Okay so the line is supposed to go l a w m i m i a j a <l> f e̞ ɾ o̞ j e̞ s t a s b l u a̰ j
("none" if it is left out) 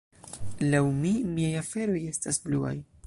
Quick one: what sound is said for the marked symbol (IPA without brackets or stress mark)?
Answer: none